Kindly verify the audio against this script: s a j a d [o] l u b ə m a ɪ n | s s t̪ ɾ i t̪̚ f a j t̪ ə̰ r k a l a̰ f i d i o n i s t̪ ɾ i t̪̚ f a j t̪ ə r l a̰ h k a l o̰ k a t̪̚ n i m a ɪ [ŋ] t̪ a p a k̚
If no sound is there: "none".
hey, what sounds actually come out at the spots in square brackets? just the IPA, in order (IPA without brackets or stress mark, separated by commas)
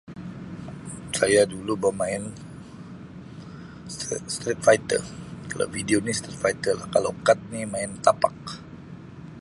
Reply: u, n